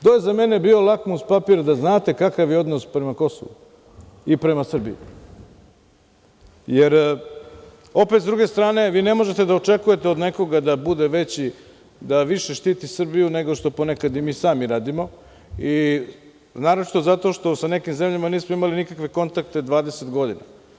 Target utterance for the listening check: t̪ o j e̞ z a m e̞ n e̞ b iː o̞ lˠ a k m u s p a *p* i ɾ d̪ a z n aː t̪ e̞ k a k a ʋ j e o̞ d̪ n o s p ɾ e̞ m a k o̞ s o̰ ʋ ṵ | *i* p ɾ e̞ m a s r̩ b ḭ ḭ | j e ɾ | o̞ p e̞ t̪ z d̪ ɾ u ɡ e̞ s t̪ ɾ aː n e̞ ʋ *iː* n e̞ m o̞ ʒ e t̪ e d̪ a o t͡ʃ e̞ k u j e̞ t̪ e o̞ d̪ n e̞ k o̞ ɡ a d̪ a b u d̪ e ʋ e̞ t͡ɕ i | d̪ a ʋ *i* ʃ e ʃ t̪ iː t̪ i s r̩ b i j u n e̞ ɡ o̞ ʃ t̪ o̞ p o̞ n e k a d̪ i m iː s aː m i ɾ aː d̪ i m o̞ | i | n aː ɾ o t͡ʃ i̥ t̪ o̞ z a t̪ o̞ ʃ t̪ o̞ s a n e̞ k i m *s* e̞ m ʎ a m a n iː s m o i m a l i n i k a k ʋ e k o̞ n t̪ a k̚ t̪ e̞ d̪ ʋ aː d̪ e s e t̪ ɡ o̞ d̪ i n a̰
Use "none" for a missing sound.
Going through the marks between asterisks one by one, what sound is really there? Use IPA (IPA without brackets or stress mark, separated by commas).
p, i, iː, i, z